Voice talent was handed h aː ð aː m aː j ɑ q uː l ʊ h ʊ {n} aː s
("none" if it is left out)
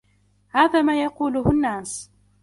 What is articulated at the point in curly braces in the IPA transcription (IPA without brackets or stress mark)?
nː